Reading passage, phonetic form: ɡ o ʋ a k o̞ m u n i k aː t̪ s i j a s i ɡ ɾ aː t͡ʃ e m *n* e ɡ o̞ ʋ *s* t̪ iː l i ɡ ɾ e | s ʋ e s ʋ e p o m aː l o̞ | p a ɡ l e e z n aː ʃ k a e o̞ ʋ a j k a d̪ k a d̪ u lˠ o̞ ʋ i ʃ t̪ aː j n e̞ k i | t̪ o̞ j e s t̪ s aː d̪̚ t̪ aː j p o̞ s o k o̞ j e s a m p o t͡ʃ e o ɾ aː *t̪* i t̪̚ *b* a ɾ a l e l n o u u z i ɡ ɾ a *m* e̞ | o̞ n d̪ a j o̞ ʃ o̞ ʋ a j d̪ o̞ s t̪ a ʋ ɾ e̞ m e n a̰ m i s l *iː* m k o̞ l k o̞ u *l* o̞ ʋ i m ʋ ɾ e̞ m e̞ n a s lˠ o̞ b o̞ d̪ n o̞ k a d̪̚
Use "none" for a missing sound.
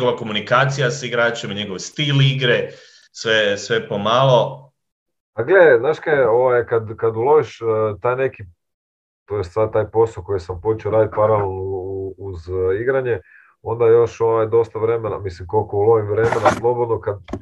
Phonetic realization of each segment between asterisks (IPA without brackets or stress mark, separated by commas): ɲ, s, d̪, p, ɲ, i, l